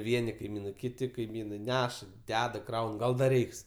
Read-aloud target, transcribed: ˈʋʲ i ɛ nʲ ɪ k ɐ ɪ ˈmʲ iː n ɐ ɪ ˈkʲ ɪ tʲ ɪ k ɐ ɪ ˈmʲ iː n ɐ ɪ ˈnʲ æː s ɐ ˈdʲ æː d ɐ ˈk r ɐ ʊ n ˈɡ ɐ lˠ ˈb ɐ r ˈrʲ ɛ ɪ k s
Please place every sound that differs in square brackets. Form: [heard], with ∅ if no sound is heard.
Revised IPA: ˈʋʲ i ɛ nʲ ɪ k ɐ ɪ ˈmʲ iː n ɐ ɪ ˈkʲ ɪ tʲ ɪ k ɐ ɪ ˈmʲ iː n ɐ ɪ ˈnʲ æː [ʃ] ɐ ˈdʲ æː d ɐ ˈk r ɐ ʊ n ˈɡ ɐ lˠ [ˈd] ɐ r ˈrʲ ɛ ɪ k s